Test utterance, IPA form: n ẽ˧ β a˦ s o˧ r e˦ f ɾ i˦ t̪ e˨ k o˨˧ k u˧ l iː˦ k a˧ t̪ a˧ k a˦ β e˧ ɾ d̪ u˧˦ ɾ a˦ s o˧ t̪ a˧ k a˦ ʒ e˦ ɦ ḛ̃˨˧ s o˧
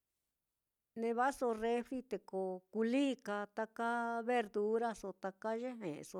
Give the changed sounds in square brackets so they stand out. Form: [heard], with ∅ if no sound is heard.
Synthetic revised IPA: n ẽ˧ β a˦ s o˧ r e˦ f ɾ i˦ t̪ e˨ k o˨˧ k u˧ l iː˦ k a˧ t̪ a˧ k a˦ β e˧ ɾ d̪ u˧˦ ɾ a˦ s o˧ t̪ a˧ k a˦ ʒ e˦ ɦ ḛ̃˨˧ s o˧